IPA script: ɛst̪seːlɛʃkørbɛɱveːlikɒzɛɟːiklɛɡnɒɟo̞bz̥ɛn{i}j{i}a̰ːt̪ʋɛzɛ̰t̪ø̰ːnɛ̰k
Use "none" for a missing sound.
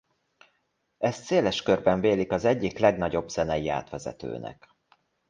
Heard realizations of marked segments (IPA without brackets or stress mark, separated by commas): ɛ, i